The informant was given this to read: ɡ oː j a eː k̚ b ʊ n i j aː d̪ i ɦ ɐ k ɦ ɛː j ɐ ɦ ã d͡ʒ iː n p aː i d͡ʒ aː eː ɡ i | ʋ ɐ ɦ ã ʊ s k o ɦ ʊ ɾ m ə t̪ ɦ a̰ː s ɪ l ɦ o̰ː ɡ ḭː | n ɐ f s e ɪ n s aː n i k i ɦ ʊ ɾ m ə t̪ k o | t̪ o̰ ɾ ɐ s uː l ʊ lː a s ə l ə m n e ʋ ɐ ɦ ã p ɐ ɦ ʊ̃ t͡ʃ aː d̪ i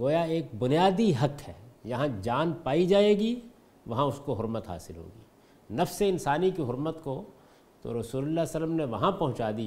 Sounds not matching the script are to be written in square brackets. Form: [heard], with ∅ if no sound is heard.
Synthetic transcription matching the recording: ɡ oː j a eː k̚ b ʊ n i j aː d̪ i ɦ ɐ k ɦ ɛː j ɐ ɦ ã d͡ʒ [aː] n p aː i d͡ʒ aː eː ɡ i | ʋ ɐ ɦ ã ʊ s k o ɦ ʊ ɾ m ə t̪ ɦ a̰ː s ɪ l ɦ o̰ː ɡ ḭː | n ɐ f s e ɪ n s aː n i k i ɦ ʊ ɾ m ə t̪ k o | t̪ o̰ ɾ ɐ s uː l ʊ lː a s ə l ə m n e ʋ ɐ ɦ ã p ɐ ɦ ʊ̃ t͡ʃ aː d̪ i